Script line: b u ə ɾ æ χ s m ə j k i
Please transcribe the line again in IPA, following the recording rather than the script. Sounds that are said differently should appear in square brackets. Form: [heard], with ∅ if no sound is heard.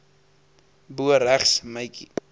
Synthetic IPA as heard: b u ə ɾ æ χ s m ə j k i